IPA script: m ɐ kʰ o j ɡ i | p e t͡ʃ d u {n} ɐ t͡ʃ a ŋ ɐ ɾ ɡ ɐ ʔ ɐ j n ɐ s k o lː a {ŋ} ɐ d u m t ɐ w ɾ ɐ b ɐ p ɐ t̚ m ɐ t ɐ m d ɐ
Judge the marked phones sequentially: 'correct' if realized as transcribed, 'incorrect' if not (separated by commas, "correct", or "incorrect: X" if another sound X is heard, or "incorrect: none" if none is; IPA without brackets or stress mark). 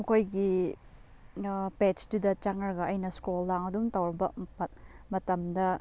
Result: incorrect: d, correct